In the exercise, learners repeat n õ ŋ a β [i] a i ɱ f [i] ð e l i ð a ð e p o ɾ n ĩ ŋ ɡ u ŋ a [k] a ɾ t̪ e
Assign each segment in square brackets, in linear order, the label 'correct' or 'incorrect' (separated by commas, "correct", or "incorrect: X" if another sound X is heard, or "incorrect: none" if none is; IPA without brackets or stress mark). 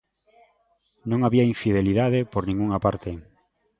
correct, correct, incorrect: p